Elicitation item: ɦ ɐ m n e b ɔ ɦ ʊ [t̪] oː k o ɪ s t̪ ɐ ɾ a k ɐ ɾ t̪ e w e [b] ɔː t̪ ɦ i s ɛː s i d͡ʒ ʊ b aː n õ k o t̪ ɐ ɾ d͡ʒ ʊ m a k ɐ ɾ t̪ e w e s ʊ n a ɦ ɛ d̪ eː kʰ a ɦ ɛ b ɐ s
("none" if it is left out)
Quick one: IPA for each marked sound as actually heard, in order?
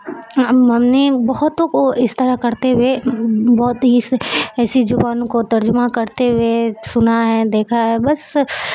t̪, b

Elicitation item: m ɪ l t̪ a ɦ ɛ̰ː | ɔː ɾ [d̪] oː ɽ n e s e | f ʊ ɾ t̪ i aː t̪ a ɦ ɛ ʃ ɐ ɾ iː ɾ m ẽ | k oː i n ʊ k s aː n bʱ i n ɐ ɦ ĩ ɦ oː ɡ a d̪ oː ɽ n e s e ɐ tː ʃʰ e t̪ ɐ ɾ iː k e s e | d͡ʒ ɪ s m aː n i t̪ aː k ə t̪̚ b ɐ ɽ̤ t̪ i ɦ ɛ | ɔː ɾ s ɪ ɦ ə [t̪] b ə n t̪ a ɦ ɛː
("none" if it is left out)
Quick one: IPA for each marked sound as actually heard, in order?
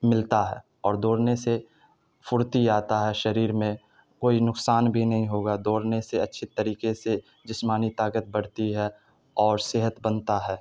d̪, t̪

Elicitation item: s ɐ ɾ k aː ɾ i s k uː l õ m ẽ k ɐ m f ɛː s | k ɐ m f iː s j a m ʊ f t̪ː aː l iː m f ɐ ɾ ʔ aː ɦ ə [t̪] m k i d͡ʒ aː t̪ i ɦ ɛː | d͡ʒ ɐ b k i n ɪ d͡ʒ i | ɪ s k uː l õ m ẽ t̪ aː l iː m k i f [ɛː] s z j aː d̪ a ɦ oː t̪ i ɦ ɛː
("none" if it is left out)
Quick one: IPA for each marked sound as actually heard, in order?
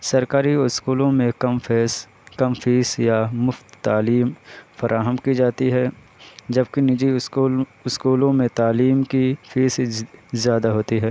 none, iː

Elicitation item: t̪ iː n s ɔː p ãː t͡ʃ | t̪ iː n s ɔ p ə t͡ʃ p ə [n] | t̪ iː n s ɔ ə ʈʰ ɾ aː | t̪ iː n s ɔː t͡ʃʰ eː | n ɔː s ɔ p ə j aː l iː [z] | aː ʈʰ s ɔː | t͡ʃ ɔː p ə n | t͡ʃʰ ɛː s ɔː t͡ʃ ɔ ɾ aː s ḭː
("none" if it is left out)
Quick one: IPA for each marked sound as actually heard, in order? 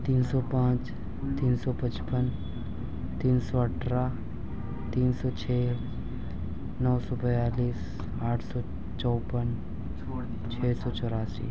n, s

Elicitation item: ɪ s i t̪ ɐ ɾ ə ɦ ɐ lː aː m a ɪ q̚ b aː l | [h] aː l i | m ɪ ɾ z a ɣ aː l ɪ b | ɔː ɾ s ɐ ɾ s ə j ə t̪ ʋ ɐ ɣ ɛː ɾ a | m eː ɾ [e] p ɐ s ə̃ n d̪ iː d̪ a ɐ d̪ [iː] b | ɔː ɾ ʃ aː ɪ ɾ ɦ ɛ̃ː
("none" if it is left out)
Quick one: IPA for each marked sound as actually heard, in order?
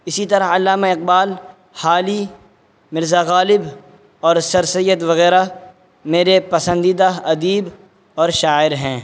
h, e, iː

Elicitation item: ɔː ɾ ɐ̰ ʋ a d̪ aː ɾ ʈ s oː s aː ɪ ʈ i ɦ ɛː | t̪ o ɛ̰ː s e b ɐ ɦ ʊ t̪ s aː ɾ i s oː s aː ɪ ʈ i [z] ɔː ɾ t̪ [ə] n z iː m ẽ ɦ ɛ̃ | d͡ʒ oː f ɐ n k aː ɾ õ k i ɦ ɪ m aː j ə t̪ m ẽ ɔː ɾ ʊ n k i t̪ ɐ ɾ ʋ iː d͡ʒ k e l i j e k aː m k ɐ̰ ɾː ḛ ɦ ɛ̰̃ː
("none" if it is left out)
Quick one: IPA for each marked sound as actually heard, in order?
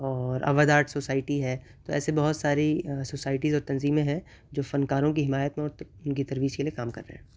z, ɐ

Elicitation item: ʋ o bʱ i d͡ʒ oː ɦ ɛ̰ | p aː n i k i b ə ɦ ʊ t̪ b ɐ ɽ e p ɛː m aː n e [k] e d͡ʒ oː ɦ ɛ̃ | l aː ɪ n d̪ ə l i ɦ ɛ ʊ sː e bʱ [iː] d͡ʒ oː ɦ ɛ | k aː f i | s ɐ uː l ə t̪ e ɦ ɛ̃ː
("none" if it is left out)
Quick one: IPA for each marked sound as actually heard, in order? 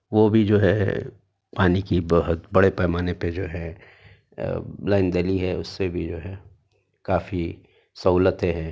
p, i

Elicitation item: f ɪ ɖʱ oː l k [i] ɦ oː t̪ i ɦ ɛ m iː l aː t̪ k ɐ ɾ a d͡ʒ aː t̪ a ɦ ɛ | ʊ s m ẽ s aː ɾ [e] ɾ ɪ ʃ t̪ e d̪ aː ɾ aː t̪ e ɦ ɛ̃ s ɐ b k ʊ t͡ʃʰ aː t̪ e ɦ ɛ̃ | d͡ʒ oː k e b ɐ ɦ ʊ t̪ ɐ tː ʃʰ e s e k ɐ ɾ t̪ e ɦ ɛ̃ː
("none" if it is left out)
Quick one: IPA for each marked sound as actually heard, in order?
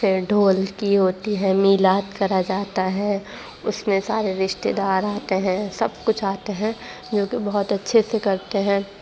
i, e

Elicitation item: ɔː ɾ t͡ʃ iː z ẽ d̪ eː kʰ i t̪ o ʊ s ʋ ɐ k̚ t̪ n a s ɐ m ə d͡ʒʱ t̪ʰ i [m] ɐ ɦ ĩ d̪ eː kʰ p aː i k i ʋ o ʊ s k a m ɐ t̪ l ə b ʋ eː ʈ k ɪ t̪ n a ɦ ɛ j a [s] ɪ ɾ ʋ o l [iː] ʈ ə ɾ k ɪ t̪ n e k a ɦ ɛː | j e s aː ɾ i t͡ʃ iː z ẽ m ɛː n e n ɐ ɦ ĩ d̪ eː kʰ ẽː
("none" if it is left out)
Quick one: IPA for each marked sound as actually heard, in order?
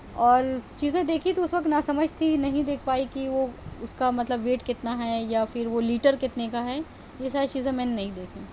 n, f, iː

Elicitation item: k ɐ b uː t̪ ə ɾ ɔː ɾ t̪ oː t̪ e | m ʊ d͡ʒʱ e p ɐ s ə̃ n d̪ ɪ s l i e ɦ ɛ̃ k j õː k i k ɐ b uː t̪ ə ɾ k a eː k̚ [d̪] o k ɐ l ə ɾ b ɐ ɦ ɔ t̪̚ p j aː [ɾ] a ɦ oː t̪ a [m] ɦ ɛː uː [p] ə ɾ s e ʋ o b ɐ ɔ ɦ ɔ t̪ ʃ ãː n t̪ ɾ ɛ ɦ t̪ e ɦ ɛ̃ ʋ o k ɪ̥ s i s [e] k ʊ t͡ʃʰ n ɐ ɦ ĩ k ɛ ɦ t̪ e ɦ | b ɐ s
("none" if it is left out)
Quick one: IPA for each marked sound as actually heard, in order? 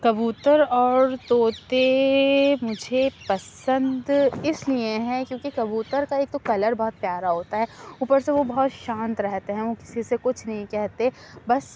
t̪, ɾ, none, p, e

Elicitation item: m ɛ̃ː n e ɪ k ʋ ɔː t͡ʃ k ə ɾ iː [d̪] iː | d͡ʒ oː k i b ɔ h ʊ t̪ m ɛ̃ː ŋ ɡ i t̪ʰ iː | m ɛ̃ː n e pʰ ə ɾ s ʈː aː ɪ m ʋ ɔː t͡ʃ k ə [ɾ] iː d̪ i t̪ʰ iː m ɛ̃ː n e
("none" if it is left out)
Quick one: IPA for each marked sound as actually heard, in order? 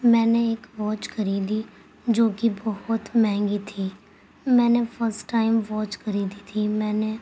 d̪, ɾ

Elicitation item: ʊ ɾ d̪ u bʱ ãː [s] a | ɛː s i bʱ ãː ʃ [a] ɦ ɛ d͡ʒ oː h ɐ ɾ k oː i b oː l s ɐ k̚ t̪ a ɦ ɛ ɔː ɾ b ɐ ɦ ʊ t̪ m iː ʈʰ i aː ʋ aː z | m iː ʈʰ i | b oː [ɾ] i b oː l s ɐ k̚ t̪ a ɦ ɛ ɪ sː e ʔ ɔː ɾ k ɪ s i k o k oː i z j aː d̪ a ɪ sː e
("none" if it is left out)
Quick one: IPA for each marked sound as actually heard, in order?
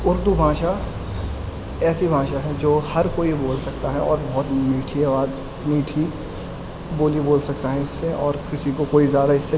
ʃ, a, l

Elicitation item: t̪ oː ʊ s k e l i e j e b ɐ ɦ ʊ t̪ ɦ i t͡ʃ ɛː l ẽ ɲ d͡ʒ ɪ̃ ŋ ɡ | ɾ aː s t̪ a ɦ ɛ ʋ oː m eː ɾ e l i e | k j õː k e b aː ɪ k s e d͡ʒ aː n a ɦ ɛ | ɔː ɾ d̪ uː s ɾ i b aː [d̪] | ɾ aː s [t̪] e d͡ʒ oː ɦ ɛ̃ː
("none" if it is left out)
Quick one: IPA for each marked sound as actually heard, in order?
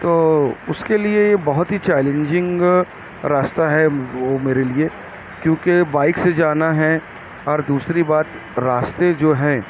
t̪, t̪

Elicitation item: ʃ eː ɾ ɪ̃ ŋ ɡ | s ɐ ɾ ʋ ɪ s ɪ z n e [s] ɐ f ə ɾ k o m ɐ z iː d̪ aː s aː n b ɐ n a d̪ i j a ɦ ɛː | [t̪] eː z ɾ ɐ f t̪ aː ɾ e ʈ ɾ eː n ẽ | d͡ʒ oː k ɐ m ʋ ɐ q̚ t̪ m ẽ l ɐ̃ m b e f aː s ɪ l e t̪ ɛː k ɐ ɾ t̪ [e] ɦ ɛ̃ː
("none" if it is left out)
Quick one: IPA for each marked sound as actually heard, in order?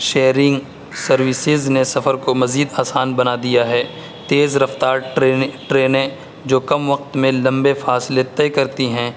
s, t̪, i

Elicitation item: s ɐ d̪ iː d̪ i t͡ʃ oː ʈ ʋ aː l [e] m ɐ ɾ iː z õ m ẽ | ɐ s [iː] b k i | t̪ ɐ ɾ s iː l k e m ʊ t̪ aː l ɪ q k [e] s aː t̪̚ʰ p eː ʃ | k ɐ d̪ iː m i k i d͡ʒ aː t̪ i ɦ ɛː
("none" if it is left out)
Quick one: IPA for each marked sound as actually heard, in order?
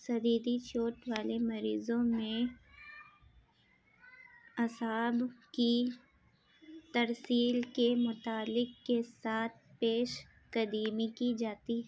e, aː, e

